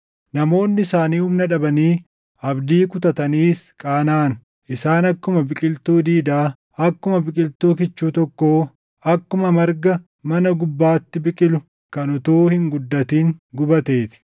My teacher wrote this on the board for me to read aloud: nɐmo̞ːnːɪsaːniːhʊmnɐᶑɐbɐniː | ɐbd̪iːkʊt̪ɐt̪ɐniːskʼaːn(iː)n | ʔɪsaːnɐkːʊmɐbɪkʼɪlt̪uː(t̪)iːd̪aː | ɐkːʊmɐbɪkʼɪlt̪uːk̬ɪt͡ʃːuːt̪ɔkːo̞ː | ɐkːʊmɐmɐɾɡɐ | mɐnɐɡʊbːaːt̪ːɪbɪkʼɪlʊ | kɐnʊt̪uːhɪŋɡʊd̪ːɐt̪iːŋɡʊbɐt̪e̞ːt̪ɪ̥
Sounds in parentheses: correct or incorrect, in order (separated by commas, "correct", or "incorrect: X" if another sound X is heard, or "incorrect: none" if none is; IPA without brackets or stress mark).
incorrect: aː, incorrect: d̪